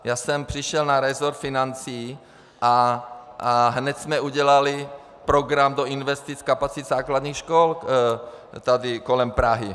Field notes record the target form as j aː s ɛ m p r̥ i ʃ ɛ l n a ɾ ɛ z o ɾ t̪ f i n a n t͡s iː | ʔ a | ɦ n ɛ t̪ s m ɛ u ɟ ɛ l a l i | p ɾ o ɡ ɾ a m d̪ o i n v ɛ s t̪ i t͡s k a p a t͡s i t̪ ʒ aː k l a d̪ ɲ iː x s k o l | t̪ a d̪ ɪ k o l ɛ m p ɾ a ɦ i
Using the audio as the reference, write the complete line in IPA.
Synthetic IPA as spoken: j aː s ɛ m p r̥ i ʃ ɛ l n a ɾ ɛ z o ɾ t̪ f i n a n t͡s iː | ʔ a | ɦ n ɛ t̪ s m ɛ u ɟ ɛ l a l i | p ɾ o ɡ ɾ a m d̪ o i n v ɛ s t̪ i t͡s k a p a t͡s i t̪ z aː k l a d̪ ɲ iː x ʃ k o l | t̪ a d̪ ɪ k o l ɛ m p ɾ a ɦ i